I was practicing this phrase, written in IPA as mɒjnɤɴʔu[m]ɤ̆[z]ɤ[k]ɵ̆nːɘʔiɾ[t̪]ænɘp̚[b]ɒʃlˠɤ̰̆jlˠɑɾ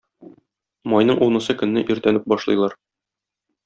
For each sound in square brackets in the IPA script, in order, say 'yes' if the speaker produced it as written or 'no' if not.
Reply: no, no, yes, yes, yes

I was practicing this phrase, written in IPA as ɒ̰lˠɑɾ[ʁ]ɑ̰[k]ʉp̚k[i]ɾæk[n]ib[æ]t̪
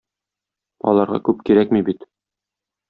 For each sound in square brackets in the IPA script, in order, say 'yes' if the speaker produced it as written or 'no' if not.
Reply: yes, yes, yes, no, no

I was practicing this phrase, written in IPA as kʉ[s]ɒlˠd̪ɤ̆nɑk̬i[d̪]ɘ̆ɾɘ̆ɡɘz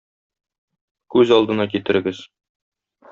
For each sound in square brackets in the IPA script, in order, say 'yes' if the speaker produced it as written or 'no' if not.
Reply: no, no

